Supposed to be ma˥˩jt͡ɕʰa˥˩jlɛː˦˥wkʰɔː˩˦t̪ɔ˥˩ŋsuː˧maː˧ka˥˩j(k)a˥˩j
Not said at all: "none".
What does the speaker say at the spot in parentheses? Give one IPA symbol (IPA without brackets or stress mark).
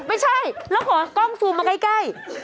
k